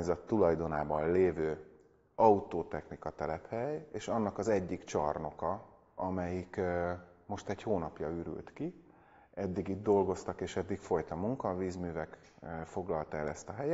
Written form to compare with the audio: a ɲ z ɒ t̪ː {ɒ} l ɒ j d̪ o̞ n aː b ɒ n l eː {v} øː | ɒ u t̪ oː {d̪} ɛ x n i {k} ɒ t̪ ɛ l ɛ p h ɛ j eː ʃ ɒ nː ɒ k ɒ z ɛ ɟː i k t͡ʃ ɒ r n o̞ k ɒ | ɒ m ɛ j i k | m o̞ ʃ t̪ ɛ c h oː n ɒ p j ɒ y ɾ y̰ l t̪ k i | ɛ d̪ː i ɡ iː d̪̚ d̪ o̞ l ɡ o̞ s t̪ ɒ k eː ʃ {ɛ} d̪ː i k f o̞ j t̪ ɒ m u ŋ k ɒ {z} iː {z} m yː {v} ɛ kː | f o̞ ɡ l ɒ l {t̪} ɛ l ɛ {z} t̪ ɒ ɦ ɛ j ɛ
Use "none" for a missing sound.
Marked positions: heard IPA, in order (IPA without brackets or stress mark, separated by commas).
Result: u, v, t̪, k, ɛ, v, z, v, t̪, s